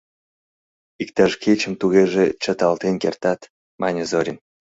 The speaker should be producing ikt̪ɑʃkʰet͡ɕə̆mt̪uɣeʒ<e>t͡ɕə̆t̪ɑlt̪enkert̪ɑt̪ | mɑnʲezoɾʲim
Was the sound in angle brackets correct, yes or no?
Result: yes